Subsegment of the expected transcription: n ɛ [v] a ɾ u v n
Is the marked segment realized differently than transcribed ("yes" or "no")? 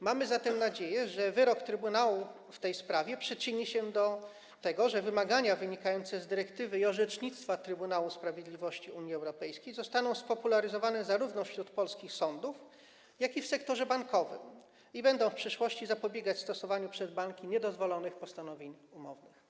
yes